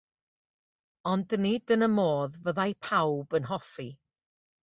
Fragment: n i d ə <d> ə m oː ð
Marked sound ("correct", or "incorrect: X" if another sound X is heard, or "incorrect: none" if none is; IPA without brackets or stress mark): incorrect: n